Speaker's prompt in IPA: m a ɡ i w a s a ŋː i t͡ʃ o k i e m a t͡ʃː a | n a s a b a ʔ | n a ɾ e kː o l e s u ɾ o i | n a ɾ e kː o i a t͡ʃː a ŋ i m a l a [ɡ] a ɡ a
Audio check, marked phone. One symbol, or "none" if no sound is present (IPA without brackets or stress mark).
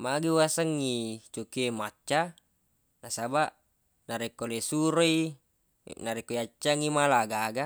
ɡ